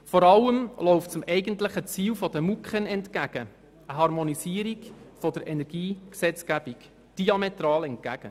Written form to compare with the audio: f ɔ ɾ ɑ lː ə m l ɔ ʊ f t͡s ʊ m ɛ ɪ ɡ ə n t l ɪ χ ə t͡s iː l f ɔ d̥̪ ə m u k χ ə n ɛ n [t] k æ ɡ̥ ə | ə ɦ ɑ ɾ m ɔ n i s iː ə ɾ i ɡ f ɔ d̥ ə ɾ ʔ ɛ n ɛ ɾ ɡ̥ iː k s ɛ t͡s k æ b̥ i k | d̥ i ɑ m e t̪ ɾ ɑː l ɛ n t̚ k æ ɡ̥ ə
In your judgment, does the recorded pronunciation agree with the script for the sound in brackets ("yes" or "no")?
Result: yes